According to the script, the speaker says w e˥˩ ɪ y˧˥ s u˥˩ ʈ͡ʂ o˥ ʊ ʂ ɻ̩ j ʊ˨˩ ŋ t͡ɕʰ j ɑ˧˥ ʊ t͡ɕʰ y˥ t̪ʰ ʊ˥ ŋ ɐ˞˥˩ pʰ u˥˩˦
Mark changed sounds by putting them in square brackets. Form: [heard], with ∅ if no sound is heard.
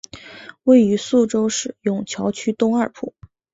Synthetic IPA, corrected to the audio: w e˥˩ ɪ y˧˥ s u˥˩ ʈ͡ʂ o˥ ʊ ʂ ɻ̩ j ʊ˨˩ ŋ t͡ɕʰ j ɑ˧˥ ʊ t͡ɕʰ y˥ [t̪] ʊ˥ ŋ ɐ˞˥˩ pʰ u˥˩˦